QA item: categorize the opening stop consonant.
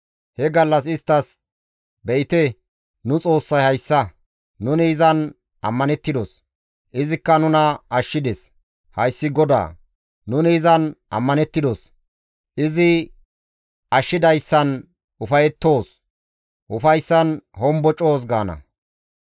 plain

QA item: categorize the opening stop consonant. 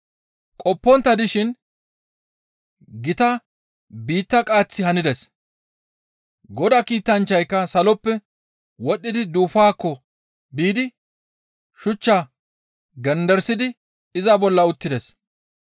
ejective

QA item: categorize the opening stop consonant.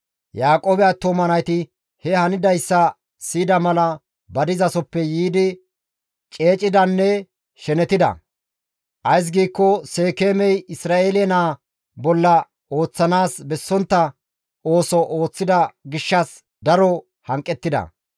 ejective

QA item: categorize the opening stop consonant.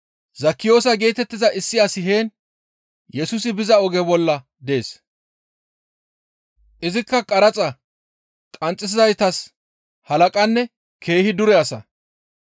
plain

